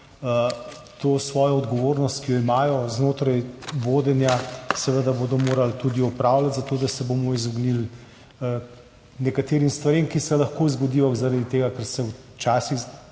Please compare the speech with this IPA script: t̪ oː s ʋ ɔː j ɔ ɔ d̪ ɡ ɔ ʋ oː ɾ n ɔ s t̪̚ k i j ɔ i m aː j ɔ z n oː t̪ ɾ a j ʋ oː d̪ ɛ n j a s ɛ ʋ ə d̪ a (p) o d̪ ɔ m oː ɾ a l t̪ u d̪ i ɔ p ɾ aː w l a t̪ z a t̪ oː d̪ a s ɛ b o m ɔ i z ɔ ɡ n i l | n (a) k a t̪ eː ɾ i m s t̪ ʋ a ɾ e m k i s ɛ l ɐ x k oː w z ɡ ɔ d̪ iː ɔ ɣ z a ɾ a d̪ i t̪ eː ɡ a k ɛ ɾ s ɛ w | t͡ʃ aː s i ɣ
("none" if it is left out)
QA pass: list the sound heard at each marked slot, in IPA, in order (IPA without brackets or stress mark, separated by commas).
b, ɛ